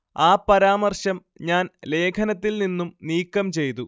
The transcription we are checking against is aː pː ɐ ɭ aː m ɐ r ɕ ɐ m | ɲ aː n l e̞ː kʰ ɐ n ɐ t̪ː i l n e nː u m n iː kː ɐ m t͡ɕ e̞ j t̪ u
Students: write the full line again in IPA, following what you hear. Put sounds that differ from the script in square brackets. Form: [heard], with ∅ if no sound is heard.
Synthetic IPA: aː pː ɐ [ɾ] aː m ɐ r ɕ ɐ m | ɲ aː n l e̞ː kʰ ɐ n ɐ t̪ː i l n [i] nː u m n iː kː ɐ m t͡ɕ e̞ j t̪ u